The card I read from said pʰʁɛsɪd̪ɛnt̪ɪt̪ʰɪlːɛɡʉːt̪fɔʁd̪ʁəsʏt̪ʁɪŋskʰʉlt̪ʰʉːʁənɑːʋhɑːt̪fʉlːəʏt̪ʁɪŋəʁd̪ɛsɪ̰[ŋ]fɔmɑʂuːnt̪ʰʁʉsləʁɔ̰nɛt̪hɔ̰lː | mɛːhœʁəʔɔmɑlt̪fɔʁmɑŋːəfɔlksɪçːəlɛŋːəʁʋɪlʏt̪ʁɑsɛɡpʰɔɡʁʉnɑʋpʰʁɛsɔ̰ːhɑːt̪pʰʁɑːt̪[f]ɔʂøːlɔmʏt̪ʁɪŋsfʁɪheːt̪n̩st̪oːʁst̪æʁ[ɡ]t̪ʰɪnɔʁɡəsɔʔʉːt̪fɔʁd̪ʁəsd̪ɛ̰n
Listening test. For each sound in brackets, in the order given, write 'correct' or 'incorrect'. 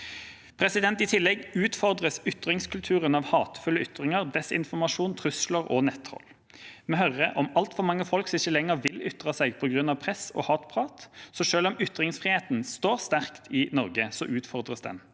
incorrect: n, incorrect: s, incorrect: k

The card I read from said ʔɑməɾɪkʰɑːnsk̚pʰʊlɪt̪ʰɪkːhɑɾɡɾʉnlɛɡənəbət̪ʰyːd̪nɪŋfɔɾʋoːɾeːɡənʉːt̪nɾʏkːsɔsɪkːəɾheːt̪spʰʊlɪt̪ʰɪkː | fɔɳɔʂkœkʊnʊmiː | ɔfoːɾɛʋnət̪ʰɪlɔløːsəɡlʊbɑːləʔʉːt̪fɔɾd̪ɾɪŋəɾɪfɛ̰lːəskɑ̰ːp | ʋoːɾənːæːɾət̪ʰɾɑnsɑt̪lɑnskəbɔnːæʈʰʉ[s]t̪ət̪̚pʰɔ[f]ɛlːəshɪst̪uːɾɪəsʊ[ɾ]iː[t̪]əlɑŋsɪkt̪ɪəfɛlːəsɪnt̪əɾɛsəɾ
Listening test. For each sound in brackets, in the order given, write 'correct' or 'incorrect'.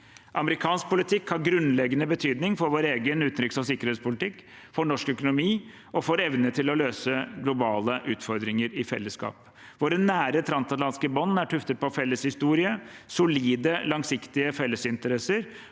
incorrect: f, correct, incorrect: l, incorrect: d̪

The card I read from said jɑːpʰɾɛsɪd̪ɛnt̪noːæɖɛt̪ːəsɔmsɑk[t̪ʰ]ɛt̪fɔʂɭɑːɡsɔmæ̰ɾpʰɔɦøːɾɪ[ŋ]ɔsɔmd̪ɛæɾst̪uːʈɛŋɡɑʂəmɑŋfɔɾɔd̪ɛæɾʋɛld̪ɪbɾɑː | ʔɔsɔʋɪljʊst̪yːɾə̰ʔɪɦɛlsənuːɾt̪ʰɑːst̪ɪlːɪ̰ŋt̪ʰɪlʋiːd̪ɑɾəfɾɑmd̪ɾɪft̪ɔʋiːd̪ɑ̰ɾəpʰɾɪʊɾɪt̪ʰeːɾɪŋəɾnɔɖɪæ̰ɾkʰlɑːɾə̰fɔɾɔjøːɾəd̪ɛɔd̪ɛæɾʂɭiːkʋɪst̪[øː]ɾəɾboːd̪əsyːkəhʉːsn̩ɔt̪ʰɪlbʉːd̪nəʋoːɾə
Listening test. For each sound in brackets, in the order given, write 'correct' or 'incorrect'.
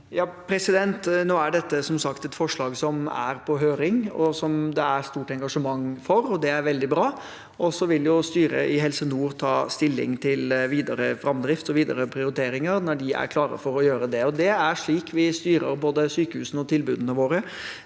incorrect: t̪, correct, incorrect: yː

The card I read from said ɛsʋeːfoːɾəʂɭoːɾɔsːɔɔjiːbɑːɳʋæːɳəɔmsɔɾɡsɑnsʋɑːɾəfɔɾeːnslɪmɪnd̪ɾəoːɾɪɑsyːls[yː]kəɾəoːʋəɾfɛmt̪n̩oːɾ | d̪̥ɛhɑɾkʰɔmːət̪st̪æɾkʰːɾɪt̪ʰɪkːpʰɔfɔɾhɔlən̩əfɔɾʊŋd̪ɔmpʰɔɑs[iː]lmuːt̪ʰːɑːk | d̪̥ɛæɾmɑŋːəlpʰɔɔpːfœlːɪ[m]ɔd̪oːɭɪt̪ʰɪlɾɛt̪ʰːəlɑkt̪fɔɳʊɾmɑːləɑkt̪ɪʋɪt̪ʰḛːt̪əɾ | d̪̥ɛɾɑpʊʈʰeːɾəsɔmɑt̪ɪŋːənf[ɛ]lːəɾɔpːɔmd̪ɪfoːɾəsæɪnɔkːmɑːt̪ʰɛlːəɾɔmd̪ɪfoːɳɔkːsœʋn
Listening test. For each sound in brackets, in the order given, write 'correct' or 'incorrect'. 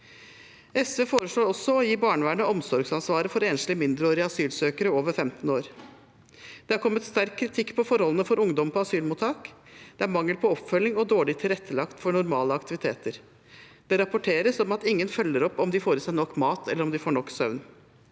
incorrect: øː, incorrect: yː, incorrect: ŋ, incorrect: œ

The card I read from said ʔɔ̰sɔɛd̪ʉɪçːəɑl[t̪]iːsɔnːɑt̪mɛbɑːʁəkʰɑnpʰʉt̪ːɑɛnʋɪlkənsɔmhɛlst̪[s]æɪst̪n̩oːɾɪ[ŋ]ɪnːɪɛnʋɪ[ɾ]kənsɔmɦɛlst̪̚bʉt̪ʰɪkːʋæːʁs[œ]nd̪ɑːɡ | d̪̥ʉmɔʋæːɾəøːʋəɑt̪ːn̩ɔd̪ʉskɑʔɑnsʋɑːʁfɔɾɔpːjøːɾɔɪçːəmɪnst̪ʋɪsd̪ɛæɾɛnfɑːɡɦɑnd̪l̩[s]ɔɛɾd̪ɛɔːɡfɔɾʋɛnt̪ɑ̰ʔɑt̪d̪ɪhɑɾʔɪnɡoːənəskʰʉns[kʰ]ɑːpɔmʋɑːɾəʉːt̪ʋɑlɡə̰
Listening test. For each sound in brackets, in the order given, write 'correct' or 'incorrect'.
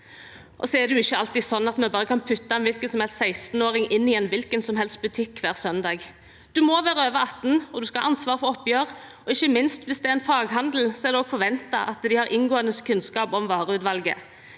correct, correct, correct, incorrect: l, correct, correct, incorrect: k

